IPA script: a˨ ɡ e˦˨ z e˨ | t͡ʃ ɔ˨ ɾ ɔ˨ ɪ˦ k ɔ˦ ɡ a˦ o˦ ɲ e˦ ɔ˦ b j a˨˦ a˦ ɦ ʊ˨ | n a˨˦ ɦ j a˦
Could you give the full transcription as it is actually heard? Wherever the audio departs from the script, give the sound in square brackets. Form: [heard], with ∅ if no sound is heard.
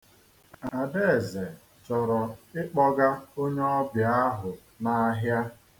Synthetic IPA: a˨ [d] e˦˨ z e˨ | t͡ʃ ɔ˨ ɾ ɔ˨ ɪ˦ [k͡p] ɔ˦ ɡ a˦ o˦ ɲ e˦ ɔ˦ b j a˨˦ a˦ ɦ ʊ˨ | n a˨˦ ɦ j a˦